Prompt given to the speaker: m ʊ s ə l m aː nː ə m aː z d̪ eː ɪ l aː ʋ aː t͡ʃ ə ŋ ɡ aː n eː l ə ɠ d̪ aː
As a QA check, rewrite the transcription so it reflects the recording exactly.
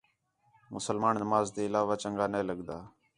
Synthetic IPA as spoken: m ʊ s ə l m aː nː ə m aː z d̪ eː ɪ l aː ʋ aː t͡ʃ ə ŋ ɡ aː n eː l ə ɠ d̪ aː